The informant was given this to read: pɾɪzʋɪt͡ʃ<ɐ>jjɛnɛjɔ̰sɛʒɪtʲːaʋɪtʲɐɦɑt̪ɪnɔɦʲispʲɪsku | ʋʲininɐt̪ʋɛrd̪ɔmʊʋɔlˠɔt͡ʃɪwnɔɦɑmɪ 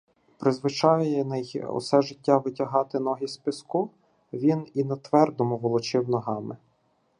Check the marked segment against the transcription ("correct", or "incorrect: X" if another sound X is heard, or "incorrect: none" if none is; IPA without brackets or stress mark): incorrect: ɑ